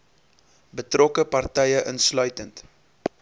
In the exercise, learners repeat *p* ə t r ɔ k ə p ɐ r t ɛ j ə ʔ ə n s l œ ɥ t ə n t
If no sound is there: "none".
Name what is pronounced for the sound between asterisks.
b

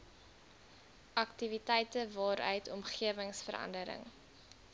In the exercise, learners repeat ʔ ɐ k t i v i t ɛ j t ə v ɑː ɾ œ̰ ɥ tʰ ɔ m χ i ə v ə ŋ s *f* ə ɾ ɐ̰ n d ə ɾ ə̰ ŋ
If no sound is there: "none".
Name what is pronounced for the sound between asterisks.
f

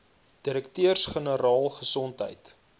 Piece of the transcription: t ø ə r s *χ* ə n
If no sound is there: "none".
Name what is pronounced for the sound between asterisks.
χ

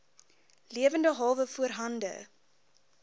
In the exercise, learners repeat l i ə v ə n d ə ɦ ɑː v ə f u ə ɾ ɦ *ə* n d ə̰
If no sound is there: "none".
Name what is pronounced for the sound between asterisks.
ɐ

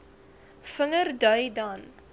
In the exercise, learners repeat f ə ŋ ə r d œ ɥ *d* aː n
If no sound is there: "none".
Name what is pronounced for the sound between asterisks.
d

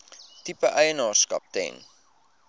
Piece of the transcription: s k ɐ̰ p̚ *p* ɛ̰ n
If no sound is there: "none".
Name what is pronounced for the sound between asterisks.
t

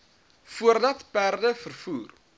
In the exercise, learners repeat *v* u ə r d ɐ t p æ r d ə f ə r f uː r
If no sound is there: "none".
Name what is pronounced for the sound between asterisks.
f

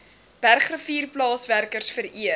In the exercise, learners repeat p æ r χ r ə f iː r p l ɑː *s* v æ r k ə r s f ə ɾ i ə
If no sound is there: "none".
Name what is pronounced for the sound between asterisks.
s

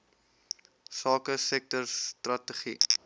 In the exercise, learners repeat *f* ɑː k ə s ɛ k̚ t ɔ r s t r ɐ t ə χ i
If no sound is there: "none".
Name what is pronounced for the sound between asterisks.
s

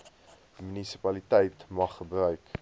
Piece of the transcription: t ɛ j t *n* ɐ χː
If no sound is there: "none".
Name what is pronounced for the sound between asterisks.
m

